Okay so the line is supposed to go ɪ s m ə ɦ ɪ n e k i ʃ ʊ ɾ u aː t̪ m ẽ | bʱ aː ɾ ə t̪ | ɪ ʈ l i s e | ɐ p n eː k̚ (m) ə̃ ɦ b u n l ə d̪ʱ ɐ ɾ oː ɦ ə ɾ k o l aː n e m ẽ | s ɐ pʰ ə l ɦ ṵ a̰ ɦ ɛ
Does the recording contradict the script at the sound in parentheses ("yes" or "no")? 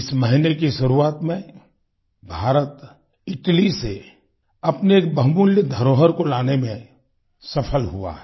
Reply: yes